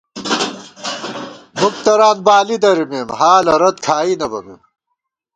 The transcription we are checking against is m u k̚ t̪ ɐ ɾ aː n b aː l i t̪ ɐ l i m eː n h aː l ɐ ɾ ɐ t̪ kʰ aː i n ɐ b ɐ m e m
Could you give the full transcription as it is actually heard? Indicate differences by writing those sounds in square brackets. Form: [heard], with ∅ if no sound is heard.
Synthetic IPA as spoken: m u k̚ t̪ ɐ ɾ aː n b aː l i [d̪] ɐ [ɾ] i m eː [m] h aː l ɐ ɾ ɐ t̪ kʰ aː i n ɐ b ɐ m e m